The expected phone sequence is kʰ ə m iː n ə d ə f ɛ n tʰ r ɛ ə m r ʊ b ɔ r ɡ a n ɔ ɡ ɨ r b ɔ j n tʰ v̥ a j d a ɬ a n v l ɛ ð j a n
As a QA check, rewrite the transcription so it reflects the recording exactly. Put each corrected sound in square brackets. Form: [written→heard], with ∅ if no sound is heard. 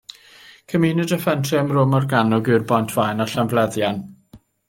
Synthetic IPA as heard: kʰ ə m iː n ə d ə f ɛ n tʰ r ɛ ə m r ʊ [b→m] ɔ r ɡ a n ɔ ɡ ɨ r b ɔ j n tʰ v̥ a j [d→n] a ɬ a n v l ɛ ð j a n